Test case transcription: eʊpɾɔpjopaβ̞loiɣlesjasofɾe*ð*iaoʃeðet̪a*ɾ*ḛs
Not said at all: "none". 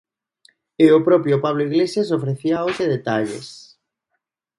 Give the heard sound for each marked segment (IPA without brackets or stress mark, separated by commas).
θ, ʎ